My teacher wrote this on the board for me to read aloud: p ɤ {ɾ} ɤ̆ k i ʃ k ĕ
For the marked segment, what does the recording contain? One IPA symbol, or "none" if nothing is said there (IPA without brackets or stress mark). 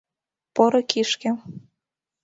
ɾ